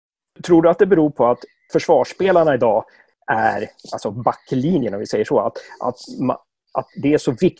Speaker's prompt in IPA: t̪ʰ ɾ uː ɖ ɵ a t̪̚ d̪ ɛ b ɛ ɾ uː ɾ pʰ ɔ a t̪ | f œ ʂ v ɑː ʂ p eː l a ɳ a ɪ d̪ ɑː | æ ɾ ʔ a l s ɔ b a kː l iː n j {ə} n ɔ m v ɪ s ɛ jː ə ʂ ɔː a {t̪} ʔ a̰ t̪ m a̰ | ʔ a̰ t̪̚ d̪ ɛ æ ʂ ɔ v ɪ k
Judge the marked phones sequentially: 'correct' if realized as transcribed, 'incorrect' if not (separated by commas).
correct, correct